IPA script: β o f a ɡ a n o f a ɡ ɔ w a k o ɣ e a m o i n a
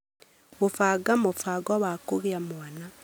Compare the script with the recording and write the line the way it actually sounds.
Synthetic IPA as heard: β o f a ɡ a m o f a ɡ ɔ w a k o ɣ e a m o a n a